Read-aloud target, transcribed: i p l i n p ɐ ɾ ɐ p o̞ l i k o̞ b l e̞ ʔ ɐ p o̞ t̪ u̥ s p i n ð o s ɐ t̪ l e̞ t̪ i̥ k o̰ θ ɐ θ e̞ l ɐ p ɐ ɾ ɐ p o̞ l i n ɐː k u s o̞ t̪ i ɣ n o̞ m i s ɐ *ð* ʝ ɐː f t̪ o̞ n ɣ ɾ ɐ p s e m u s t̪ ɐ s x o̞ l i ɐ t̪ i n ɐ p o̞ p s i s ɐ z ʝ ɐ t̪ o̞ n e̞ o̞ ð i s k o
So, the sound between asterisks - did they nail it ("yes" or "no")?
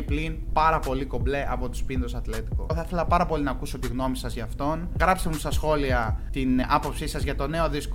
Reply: no